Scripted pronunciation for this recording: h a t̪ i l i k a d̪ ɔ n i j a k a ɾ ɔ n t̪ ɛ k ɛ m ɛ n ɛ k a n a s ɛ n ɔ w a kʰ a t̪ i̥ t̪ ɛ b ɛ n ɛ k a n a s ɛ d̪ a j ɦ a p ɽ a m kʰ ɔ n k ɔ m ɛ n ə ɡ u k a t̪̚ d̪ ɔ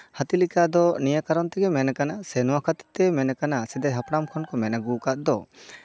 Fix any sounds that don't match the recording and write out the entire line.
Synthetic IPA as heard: h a t̪ i l i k a d̪ ɔ n i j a k a ɾ ɔ n t̪ ɛ ɡ ɛ m ɛ n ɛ k a n a s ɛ n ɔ w a kʰ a t̪ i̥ t̪ ɛ m ɛ n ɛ k a n a s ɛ d̪ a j ɦ a p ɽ a m kʰ ɔ n k ɔ m ɛ n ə ɡ u k a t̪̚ d̪ ɔ